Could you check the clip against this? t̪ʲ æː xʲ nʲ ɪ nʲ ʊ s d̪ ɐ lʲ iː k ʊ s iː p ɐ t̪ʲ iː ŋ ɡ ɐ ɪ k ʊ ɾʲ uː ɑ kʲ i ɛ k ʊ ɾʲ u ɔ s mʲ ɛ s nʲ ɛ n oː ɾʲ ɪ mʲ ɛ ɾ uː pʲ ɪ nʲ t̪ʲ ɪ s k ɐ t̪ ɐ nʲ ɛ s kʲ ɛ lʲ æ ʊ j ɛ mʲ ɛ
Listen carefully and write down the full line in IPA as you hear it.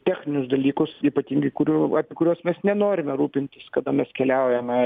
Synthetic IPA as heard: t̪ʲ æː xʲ nʲ ɪ nʲ ʊ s d̪ ɐ lʲ iː k ʊ s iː p ɐ t̪ʲ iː ŋ ɡ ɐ ɪ k ʊ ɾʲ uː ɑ pʲ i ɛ k ʊ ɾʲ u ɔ s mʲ ɛ s nʲ ɛ n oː ɾʲ ɪ mʲ ɛ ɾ uː pʲ ɪ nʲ t̪ʲ ɪ s k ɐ d̪ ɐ mʲ ɛ s kʲ ɛ lʲ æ ʊ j ɛ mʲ ɛ

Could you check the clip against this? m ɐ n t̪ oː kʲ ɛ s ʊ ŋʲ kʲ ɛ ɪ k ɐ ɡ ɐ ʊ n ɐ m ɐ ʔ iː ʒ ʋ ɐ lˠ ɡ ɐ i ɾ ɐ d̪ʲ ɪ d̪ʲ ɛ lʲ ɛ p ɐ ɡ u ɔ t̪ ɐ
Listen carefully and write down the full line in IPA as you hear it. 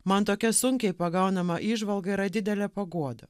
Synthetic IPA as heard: m ɐ n t̪ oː kʲ ɛ s ʊ ŋʲ kʲ ɛ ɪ p ɐ ɡ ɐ ʊ n ɐ m ɐ ʔ iː ʒ ʋ ɐ lˠ ɡ ɐ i ɾ ɐ d̪ʲ ɪ d̪ʲ ɛ lʲ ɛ p ɐ ɡ u ɔ d̪ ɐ

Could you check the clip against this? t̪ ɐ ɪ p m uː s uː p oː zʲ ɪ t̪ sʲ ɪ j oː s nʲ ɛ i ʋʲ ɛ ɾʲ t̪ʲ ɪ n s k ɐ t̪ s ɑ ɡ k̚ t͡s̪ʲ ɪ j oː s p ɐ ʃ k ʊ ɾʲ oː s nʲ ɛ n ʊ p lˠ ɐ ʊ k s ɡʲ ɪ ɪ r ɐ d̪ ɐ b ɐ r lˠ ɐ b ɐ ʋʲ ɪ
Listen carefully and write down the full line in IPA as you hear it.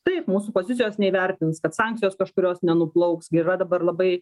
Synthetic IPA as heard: t̪ ɐ ɪ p m uː s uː p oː zʲ ɪ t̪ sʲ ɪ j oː s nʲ ɛ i ʋʲ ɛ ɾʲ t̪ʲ ɪ n s k ɐ t̪ s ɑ ŋ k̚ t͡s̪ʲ ɪ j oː s k ɐ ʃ k ʊ ɾʲ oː s nʲ ɛ n ʊ p lˠ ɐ ʊ k s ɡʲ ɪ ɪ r ɐ d̪ ɐ b ɐ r lˠ ɐ b ɐ ɪ

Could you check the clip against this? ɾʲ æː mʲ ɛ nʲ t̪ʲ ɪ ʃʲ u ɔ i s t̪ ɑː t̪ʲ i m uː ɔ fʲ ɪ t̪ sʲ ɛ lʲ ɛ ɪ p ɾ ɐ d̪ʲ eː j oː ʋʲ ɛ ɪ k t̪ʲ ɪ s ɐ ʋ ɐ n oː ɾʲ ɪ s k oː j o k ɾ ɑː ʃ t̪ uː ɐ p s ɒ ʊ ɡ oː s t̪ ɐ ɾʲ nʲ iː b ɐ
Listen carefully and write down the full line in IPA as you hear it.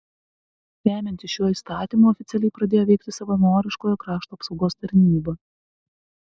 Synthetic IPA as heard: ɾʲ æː mʲ ɛ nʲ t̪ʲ ɪ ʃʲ u ɔ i s t̪ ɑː t̪ʲ i m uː ɔ fʲ ɪ t̪ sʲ ɛ lʲ ɛ ɪ p ɾ ɐ d̪ʲ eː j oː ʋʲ ɛ ɪ k t̪ʲ ɪ s ɐ ʋ ɐ n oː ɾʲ ɪ ʃ k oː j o k ɾ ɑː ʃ t̪ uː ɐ p s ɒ ʊ ɡ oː s t̪ ɐ ɾʲ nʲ iː b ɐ

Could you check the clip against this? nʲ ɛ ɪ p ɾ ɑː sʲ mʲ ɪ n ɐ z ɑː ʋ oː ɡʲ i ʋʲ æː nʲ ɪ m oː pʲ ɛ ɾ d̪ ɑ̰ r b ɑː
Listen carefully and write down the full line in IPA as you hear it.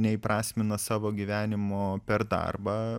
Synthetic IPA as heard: nʲ ɛ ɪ p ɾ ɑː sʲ mʲ ɪ n ɐ s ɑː ʋ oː ɡʲ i ʋʲ æː nʲ ɪ m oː pʲ ɛ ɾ d̪ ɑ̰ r b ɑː

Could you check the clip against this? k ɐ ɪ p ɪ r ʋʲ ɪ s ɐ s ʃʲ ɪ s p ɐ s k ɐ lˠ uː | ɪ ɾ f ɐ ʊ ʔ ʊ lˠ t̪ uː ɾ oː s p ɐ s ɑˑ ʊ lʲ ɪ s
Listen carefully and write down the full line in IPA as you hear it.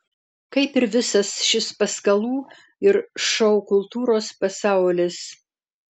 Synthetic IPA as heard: k ɐ ɪ p ɪ ɾ ʋʲ ɪ s ɐ s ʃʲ ɪ s p ɐ s k ɐ lˠ uː | ɪ ɾ ʃ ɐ ʊ k ʊ lˠ t̪ uː ɾ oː s p ɐ s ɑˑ ʊ lʲ ɪ s

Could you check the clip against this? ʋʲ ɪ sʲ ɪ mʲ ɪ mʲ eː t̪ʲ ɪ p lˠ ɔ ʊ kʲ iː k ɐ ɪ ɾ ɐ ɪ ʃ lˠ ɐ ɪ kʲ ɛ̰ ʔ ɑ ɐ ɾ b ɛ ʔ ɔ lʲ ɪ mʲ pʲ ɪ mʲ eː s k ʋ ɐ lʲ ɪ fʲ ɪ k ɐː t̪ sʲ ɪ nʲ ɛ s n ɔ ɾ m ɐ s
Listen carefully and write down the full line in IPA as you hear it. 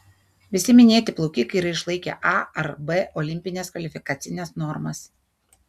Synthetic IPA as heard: ʋʲ ɪ sʲ ɪ mʲ ɪ nʲ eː t̪ʲ ɪ p lˠ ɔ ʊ kʲ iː k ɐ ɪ ɾ ɐ ɪ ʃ lˠ ɐ ɪ kʲ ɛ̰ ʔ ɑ ɐ ɾ b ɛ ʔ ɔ lʲ ɪ mʲ pʲ ɪ nʲ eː s k ʋ ɐ lʲ ɪ fʲ ɪ k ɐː t̪ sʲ ɪ nʲ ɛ s n ɔ ɾ m ɐ s

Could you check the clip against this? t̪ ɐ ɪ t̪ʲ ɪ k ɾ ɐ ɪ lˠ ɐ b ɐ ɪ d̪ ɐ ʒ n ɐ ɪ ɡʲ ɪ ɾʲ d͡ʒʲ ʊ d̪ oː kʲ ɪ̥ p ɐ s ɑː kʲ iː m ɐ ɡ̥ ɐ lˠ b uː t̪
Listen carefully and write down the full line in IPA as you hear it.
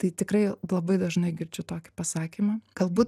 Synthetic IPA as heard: t̪ ɐ ɪ t̪ʲ ɪ k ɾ ɐ ɪ lˠ ɐ b ɐ ɪ d̪ ɐ ʒ n ɐ ɪ ɡʲ ɪ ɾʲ d͡ʒʲ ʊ t̪ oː kʲ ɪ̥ p ɐ s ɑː kʲ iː m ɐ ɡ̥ ɐ lˠ b uː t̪

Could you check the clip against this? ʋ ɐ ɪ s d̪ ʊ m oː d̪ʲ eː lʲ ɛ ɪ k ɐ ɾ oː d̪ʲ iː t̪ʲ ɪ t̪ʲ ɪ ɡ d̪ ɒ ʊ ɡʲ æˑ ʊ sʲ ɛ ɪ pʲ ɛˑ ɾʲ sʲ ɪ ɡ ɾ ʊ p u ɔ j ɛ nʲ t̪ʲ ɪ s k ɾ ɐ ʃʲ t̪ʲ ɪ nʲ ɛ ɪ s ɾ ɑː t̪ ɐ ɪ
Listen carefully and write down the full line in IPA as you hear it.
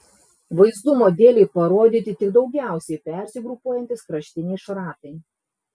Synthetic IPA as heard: ʋ ɐ ɪ z d̪ ʊ m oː d̪ʲ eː lʲ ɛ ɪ p ɐ ɾ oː d̪ʲ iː t̪ʲ ɪ t̪ʲ ɪ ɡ d̪ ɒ ʊ ɡʲ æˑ ʊ sʲ ɛ ɪ pʲ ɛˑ ɾʲ sʲ ɪ ɡ ɾ ʊ p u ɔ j ɛ nʲ t̪ʲ ɪ s k ɾ ɐ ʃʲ t̪ʲ ɪ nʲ ɛ ɪ ʃ ɾ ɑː t̪ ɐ ɪ

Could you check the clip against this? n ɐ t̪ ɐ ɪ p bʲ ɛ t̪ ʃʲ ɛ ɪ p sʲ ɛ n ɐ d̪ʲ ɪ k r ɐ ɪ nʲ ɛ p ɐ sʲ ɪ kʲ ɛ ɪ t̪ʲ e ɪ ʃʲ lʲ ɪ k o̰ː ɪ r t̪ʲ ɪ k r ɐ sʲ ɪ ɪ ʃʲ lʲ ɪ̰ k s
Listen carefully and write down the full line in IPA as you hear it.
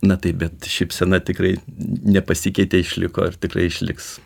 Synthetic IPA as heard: n ɐ t̪ ɐ ɪ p bʲ ɛ t̪ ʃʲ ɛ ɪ p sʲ ɛ n ɐ t̪ʲ ɪ k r ɐ ɪ nʲ ɛ p ɐ sʲ ɪ kʲ ɛ ɪ t̪ʲ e ɪ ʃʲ lʲ ɪ k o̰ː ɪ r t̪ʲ ɪ k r ɐ ɪ ɪ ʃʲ lʲ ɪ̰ k s

